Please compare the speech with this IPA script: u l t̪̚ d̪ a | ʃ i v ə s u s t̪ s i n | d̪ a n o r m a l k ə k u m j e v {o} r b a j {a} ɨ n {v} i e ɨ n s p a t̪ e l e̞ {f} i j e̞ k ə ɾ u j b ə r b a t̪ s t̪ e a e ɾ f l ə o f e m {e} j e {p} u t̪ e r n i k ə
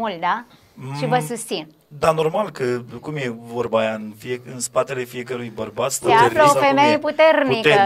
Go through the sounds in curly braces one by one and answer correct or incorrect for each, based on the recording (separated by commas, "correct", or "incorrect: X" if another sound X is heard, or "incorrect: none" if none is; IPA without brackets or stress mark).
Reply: correct, correct, incorrect: f, correct, correct, correct